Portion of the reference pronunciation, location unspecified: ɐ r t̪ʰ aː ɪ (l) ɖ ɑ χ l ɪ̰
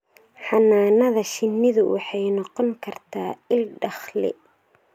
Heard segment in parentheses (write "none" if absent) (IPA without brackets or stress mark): l